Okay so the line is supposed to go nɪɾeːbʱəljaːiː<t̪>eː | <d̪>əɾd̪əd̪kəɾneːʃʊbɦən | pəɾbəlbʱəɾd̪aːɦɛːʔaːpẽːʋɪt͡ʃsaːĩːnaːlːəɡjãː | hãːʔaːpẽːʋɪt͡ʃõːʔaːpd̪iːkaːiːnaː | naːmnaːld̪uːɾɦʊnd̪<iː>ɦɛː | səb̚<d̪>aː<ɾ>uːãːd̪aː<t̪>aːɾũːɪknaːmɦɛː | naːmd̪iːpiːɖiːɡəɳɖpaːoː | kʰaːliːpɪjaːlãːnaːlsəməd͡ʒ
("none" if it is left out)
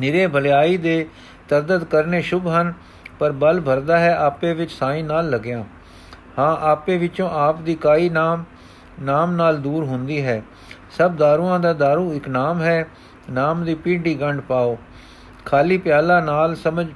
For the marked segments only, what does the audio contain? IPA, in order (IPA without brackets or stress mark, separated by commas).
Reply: d̪, t̪, iː, d̪, ɾ, d̪